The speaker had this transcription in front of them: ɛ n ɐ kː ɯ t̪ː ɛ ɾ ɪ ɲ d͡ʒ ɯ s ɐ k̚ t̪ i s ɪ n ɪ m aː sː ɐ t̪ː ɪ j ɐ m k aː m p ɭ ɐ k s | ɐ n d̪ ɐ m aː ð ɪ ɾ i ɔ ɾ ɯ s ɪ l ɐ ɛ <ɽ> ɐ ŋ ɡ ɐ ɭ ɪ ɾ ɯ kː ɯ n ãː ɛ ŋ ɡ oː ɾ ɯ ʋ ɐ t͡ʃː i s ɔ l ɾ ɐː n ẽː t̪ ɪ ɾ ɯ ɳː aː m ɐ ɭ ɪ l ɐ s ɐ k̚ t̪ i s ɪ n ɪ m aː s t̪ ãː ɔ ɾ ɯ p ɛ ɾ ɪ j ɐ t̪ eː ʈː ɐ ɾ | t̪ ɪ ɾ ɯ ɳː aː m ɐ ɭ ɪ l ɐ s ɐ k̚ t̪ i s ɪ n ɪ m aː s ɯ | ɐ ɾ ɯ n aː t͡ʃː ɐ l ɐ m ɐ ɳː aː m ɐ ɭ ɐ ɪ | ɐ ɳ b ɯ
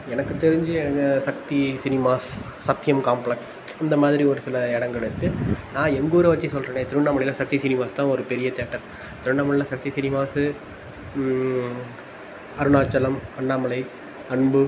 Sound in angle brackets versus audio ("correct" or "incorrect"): correct